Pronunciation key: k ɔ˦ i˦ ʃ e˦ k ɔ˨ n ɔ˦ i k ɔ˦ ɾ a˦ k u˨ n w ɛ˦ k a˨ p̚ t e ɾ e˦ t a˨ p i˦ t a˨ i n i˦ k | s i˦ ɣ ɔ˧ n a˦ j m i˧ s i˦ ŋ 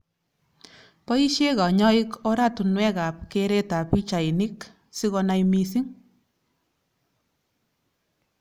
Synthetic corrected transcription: p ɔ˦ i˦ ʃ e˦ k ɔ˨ ɲ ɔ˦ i k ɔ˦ ɾ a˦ t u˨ n w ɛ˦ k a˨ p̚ k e ɾ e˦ t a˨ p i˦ t͡ʃ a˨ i n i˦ k | s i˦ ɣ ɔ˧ n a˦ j m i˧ s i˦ ŋ